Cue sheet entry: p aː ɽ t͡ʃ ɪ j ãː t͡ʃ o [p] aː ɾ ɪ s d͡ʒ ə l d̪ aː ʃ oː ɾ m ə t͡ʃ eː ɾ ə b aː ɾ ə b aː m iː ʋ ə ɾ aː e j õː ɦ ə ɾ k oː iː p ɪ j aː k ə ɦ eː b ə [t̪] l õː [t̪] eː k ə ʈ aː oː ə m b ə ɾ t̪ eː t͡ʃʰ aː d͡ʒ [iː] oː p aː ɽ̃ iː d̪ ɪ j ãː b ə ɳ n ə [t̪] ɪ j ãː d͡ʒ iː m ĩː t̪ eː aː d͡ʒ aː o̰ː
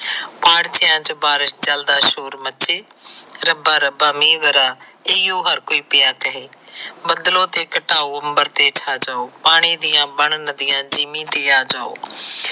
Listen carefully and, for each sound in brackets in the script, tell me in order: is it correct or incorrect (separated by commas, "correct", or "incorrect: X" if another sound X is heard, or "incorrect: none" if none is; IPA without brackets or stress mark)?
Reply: incorrect: b, incorrect: d̪, correct, incorrect: aː, incorrect: d̪